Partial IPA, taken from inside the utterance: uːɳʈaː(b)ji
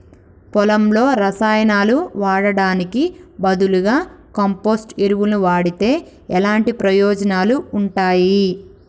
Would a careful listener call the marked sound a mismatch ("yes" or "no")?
yes